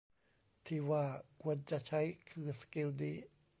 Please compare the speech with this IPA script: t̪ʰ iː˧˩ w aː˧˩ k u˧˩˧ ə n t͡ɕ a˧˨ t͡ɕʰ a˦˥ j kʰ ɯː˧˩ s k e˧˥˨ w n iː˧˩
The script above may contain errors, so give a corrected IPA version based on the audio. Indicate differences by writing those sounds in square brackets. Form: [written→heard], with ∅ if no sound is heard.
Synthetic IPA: t̪ʰ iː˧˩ w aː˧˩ k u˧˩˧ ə n t͡ɕ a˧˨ t͡ɕʰ a˦˥ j kʰ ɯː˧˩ s k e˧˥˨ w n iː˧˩